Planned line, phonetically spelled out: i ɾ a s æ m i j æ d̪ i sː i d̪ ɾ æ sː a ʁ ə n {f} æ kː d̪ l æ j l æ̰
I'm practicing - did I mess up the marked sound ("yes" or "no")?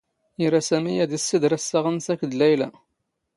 yes